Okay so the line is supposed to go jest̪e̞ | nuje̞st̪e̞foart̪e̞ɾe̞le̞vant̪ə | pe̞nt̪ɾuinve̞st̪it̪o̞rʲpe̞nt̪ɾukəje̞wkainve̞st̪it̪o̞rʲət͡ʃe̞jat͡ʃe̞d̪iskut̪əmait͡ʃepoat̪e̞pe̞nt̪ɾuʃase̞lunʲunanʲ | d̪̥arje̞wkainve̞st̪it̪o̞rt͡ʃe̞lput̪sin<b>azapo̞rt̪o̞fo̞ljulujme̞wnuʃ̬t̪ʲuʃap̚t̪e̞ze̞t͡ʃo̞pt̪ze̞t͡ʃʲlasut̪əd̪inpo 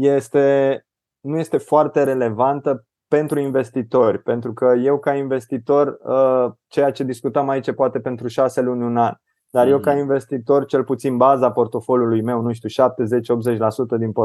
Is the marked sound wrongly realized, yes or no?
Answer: no